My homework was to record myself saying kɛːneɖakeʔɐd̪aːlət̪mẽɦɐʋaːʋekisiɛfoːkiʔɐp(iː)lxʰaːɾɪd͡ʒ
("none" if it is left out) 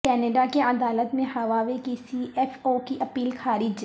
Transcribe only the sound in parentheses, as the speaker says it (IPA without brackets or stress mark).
iː